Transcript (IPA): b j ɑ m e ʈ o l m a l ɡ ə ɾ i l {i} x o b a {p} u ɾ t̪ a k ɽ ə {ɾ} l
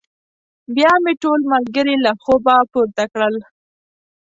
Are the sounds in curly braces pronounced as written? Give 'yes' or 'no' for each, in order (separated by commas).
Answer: no, yes, no